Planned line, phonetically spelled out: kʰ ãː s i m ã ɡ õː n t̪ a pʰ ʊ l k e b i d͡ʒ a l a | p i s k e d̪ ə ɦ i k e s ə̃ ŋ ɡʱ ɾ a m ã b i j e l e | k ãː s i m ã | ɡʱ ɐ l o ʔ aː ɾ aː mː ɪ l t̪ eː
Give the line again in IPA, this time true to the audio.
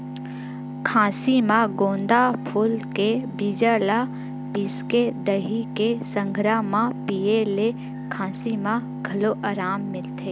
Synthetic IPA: kʰ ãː s i m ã ɡ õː n d̪ a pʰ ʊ l k e b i d͡ʒ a l a | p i s k e d̪ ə ɦ i k e s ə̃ ŋ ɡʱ ɾ a m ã p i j e l e | kʰ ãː s i m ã | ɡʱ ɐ l o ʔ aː ɾ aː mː ɪ l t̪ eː